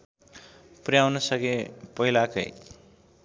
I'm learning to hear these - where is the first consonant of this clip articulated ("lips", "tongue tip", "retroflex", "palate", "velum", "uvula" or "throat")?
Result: lips